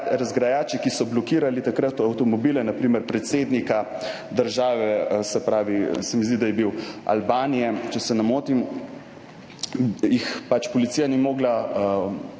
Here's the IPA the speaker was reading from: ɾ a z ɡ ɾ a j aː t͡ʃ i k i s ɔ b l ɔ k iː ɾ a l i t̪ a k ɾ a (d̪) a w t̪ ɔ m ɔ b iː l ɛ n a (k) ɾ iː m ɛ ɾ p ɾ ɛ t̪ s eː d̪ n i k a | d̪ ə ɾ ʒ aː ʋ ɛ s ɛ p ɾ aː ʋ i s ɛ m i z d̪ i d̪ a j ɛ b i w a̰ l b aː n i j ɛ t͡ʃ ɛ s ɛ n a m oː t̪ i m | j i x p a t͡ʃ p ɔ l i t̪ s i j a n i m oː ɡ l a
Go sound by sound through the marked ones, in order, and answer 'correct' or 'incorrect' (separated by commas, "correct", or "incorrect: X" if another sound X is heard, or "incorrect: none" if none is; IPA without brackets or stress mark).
incorrect: t̪, incorrect: p